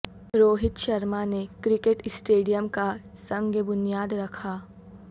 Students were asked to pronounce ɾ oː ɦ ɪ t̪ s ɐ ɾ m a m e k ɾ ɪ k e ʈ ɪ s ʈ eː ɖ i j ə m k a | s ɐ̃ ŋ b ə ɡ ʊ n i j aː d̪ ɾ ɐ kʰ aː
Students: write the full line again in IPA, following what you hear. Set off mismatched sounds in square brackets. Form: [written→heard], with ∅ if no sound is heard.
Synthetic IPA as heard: ɾ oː ɦ ɪ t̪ [s→ʃ] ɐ ɾ m a [m→n] e k ɾ ɪ k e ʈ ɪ s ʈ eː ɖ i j ə m k a | s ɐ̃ ŋ [b→ɡ] ə [ɡ→b] ʊ n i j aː d̪ ɾ ɐ kʰ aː